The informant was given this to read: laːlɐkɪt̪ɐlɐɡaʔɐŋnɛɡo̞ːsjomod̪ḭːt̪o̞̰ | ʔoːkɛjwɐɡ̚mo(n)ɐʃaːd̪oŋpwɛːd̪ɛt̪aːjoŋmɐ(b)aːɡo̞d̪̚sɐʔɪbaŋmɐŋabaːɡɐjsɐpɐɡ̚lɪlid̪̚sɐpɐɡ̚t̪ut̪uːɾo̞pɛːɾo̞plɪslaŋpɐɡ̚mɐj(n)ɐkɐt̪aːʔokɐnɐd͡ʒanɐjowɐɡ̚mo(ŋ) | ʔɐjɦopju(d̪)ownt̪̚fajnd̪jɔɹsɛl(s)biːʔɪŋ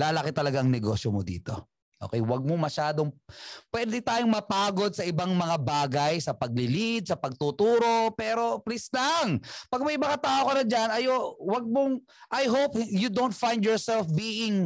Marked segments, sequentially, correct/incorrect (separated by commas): incorrect, incorrect, incorrect, correct, correct, incorrect